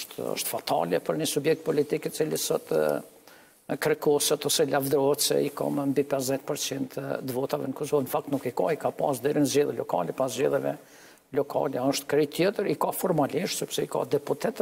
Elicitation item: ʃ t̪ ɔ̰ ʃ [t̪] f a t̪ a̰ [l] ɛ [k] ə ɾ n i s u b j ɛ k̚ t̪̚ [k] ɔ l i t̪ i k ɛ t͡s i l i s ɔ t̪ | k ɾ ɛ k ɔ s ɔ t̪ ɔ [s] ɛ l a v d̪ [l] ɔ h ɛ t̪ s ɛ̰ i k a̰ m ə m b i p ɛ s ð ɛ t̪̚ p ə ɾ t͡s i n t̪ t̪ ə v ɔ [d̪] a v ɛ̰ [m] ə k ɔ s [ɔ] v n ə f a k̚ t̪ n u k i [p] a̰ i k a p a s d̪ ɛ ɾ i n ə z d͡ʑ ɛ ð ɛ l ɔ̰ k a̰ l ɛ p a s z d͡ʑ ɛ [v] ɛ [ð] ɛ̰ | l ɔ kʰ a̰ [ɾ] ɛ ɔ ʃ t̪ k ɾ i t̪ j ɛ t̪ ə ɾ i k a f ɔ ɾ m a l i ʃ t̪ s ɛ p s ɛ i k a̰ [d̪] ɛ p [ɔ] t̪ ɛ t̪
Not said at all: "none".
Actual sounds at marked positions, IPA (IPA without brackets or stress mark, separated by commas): t̪, l, p, p, s, ɾ, t̪, n, ɔ, k, ð, v, l, d̪, u